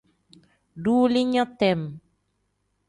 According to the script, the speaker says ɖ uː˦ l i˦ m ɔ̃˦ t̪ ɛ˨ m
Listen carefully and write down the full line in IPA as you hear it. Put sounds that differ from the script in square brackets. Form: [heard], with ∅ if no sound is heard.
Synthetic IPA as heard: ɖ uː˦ l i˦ [ɲ] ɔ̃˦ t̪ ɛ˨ m